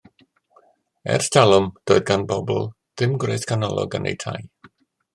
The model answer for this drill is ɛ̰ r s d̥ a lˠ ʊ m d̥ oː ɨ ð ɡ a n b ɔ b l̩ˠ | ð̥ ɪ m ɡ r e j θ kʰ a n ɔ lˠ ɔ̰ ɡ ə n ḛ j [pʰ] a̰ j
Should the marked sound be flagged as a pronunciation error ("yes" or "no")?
yes